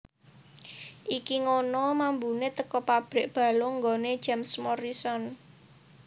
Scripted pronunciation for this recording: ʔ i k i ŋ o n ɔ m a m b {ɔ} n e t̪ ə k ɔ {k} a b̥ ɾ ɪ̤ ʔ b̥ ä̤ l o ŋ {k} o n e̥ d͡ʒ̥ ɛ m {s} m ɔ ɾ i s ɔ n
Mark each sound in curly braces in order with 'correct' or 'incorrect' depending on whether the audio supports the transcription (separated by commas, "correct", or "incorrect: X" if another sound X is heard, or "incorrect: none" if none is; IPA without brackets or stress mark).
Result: incorrect: u, incorrect: p, incorrect: ɡ, correct